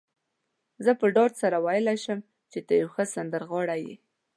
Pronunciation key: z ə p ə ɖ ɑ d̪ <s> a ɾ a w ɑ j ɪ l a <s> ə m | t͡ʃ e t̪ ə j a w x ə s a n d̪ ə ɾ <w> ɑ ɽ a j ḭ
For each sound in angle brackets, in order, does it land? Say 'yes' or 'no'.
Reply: yes, no, no

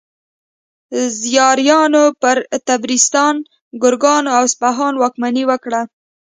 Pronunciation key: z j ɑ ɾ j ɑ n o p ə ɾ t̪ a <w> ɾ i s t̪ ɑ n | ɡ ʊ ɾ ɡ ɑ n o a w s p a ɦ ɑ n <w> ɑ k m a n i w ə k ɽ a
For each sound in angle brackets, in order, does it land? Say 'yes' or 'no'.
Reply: no, yes

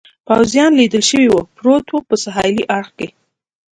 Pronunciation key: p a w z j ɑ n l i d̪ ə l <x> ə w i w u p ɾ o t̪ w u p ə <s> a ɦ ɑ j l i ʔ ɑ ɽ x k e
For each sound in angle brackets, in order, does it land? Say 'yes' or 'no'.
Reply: no, yes

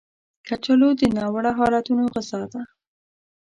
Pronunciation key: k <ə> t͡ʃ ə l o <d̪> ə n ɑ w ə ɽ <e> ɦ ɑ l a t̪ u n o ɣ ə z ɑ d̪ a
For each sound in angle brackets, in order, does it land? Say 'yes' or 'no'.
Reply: no, yes, no

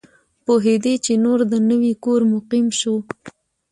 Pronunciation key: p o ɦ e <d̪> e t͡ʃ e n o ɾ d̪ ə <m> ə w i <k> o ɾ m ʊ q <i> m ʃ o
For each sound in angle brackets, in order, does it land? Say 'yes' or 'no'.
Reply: yes, no, yes, yes

